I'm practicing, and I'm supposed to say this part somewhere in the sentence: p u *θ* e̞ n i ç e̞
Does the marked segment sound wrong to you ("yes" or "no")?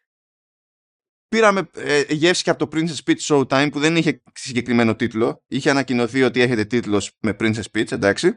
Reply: yes